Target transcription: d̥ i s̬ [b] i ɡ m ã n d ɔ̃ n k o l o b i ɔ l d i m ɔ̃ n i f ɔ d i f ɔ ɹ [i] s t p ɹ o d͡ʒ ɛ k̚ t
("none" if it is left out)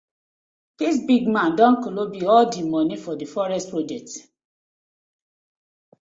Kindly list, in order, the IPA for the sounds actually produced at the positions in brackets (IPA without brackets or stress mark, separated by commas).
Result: b, ɛ